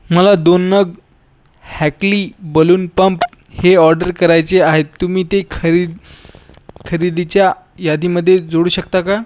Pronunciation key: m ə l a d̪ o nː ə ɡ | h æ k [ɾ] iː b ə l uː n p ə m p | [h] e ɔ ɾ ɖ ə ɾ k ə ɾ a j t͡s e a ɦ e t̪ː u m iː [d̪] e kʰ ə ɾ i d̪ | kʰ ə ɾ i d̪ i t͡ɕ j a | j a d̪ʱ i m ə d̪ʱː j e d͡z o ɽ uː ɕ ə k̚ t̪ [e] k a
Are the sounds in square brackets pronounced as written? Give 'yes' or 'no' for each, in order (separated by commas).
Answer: no, yes, no, no